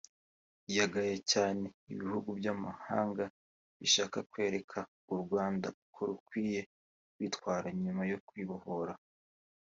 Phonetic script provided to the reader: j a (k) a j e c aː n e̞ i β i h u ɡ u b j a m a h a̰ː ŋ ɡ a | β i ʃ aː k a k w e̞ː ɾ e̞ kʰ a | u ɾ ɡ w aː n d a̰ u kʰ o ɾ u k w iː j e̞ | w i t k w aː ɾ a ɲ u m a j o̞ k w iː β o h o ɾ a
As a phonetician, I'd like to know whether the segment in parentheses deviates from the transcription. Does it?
yes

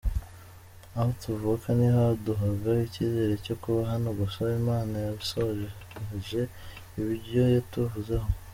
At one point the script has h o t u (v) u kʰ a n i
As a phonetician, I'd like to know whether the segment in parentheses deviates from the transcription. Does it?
no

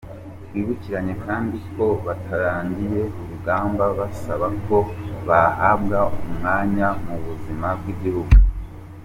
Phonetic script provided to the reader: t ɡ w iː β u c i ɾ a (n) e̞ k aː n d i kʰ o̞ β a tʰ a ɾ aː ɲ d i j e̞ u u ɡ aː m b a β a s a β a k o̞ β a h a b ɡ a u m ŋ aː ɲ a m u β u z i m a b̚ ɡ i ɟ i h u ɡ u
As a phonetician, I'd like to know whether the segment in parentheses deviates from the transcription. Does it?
yes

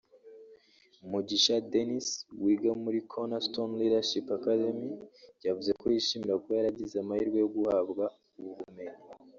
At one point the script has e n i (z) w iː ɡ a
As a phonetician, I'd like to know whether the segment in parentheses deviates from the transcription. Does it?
yes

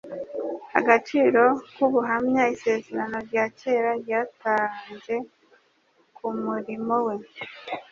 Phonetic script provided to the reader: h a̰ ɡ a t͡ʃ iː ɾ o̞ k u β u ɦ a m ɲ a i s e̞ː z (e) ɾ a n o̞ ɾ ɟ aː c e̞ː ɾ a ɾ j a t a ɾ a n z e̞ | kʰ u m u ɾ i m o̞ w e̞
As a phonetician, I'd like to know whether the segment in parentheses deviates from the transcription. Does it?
no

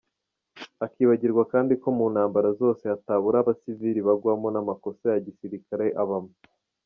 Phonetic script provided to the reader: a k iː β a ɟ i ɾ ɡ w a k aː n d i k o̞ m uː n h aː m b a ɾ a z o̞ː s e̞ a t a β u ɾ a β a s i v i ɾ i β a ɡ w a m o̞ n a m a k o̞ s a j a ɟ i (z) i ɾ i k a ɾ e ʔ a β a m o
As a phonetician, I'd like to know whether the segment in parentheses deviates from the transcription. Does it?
yes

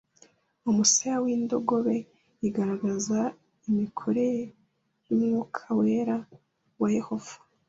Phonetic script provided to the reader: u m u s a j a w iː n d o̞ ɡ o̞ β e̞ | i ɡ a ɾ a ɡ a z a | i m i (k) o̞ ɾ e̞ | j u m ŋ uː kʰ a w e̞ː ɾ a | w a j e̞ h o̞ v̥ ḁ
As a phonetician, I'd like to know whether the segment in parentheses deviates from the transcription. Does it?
yes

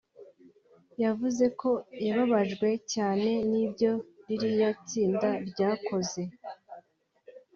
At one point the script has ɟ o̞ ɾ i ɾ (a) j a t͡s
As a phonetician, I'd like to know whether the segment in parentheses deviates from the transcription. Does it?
yes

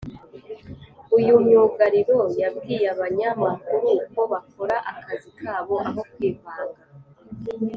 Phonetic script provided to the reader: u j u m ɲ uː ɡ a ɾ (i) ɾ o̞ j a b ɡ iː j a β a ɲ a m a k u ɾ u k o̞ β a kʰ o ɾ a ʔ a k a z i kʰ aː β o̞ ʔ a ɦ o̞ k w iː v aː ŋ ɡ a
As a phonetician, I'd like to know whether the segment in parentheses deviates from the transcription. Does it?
no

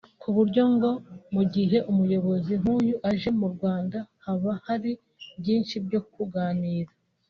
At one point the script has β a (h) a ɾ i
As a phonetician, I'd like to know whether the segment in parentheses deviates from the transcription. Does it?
no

